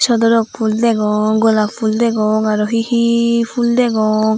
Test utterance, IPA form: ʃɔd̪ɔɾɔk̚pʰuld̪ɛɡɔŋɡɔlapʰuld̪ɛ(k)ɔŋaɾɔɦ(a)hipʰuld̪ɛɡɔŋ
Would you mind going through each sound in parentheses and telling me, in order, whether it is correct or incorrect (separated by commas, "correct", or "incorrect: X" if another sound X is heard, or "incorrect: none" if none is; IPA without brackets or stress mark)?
incorrect: ɡ, incorrect: i